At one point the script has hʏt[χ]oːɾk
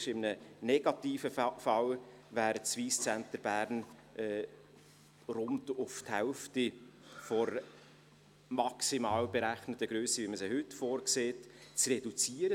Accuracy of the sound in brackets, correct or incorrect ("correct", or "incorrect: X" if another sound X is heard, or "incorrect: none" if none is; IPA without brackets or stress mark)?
incorrect: f